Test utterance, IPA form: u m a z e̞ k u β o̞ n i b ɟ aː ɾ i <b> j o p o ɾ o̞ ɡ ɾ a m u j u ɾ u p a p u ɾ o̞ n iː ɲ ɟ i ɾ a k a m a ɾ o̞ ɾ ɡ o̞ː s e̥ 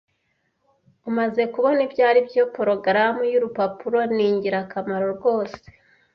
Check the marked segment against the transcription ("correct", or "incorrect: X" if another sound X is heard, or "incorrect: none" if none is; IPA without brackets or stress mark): correct